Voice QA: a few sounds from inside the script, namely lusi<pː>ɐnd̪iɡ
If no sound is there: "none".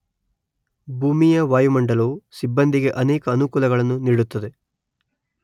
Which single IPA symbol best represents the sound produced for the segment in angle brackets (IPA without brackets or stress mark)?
bː